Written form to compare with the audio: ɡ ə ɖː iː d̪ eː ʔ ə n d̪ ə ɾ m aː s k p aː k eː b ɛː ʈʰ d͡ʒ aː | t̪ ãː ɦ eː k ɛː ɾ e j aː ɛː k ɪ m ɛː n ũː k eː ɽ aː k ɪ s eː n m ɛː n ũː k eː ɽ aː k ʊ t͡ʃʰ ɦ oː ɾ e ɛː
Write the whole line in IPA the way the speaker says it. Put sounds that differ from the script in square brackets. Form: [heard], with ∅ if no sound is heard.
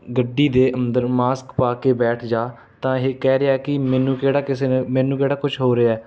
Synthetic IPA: ɡ ə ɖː iː d̪ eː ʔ ə n d̪ ə ɾ m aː s k p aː k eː b ɛː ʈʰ d͡ʒ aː | t̪ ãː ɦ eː k ɛː ɾ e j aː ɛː k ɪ m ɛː n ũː k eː ɽ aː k ɪ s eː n m ɛː n ũː k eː ɽ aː k ʊ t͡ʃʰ ɦ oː ɾ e ɛː

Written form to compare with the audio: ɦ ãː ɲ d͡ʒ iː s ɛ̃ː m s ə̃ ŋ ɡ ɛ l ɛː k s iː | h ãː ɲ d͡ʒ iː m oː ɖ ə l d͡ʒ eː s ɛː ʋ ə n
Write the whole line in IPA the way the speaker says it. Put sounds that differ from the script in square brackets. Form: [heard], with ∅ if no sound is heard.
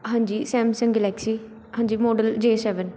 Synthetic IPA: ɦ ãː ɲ d͡ʒ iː s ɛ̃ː m s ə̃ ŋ ɡ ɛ l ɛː k s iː | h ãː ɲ d͡ʒ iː m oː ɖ ə l d͡ʒ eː s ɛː ʋ ə n

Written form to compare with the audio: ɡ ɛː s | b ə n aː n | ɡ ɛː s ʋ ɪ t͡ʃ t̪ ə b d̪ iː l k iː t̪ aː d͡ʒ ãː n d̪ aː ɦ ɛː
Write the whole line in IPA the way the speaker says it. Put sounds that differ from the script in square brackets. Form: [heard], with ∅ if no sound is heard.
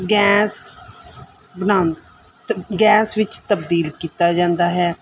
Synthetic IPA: ɡ ɛː s | b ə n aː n | ɡ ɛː s ʋ ɪ t͡ʃ t̪ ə b d̪ iː l k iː t̪ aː d͡ʒ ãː n d̪ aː ɦ ɛː

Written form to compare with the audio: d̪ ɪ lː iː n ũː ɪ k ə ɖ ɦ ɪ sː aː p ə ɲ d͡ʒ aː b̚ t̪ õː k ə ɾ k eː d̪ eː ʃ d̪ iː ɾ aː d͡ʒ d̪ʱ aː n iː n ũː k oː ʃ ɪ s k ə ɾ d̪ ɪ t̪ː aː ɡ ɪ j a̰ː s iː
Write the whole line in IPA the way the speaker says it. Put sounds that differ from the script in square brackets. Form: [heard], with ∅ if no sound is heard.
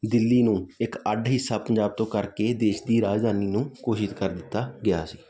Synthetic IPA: d̪ ɪ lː iː n ũː ɪ k ə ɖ ɦ ɪ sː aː p ə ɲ d͡ʒ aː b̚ t̪ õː k ə ɾ k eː d̪ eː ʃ d̪ iː ɾ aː d͡ʒ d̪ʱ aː n iː n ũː k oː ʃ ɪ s k ə ɾ d̪ ɪ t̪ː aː ɡ ɪ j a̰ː s iː

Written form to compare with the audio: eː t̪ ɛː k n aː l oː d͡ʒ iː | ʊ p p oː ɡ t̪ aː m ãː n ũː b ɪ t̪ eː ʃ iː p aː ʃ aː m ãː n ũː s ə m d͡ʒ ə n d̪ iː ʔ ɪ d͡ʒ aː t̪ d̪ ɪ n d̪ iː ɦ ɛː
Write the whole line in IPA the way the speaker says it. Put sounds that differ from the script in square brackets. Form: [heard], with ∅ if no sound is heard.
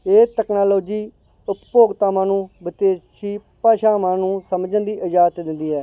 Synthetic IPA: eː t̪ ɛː k n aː l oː d͡ʒ iː | ʊ p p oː ɡ t̪ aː m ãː n ũː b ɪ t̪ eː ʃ iː p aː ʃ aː m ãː n ũː s ə m d͡ʒ ə n d̪ iː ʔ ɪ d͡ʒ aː t̪ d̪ ɪ n d̪ iː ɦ ɛː

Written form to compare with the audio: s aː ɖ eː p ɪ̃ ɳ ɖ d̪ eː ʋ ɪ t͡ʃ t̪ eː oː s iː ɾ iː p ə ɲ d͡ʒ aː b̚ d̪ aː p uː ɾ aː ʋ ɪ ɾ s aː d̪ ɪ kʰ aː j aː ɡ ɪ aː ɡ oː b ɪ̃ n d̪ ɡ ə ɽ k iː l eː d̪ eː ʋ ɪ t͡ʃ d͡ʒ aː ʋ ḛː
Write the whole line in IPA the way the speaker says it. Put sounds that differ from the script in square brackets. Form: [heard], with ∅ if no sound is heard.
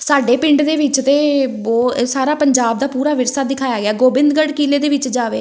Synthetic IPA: s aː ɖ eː p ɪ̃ ɳ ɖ d̪ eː ʋ ɪ t͡ʃ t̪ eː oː s [aː] ɾ [aː] p ə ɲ d͡ʒ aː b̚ d̪ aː p uː ɾ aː ʋ ɪ ɾ s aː d̪ ɪ kʰ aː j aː ɡ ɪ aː ɡ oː b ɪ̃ n d̪ ɡ ə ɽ k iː l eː d̪ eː ʋ ɪ t͡ʃ d͡ʒ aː ʋ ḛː

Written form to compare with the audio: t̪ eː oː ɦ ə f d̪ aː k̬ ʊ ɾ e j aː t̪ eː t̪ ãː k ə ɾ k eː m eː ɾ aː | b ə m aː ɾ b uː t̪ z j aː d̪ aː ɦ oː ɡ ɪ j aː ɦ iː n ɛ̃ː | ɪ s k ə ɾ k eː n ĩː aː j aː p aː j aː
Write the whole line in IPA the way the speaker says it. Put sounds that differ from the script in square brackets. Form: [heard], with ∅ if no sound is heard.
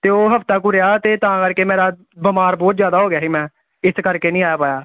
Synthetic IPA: t̪ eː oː ɦ ə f [t̪] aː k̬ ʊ ɾ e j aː t̪ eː t̪ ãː k ə ɾ k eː m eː ɾ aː | b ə m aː ɾ b [ɔː] t̪ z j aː d̪ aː ɦ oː ɡ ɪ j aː ɦ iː [m] ɛ̃ː | ɪ s k ə ɾ k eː n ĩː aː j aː p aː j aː

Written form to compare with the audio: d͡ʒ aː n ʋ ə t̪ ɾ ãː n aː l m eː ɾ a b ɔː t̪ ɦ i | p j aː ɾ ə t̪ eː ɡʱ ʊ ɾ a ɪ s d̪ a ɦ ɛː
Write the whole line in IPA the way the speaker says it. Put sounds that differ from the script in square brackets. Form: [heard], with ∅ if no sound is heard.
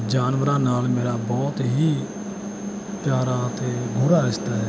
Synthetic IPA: d͡ʒ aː n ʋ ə [∅] ɾ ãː n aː l m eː ɾ a b ɔː t̪ ɦ i | p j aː ɾ [a] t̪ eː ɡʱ ʊ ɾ a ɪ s [t̪] a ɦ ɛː

